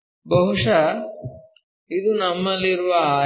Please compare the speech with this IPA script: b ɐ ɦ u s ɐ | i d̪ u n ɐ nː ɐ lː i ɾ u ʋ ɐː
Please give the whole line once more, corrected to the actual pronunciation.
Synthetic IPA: b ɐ ɦ u ʂ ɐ | i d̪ u n ɐ mː ɐ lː i ɾ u ʋ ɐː